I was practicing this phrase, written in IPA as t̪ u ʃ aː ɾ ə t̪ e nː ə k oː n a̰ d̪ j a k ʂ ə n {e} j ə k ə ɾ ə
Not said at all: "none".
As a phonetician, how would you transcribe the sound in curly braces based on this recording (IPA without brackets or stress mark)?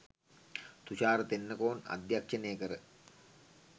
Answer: e